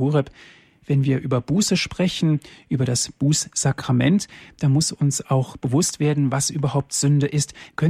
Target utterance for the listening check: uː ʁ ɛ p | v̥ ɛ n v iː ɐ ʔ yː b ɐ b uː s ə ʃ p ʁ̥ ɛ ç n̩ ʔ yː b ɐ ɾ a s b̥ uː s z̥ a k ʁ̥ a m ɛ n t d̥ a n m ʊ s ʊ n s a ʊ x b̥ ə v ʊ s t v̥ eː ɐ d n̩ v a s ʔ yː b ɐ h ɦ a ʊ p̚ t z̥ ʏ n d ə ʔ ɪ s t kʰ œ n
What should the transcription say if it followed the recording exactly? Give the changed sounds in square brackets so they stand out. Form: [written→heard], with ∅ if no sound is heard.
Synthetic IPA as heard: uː ʁ ɛ p | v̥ ɛ n v iː ɐ ʔ yː b ɐ b uː s ə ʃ p ʁ̥ ɛ ç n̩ ʔ yː b ɐ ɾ a s b̥ uː s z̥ a k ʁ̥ a m ɛ n t d̥ a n m ʊ s ʊ n s a ʊ x b̥ ə v ʊ s t v̥ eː ɐ d n̩ v a s ʔ yː b ɐ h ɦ a ʊ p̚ t z̥ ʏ n d ə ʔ ɪ s t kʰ œ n